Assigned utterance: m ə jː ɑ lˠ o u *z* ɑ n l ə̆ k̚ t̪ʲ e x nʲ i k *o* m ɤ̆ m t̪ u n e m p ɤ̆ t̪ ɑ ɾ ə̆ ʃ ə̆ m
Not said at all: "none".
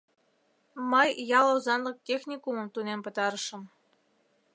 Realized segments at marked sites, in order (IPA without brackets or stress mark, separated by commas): z, u